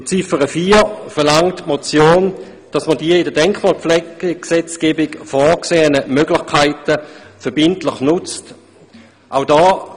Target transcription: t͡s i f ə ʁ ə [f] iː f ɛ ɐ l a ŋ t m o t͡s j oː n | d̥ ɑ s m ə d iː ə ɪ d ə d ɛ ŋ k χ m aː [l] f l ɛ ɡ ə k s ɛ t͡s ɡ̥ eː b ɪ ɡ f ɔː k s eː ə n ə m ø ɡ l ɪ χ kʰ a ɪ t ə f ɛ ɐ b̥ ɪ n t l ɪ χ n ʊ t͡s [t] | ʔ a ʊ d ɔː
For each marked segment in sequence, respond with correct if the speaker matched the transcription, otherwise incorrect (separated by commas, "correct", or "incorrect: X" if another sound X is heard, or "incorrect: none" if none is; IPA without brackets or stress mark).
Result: correct, correct, correct